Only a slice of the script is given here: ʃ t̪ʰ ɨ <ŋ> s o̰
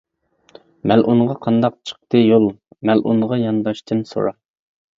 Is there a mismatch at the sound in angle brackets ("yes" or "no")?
yes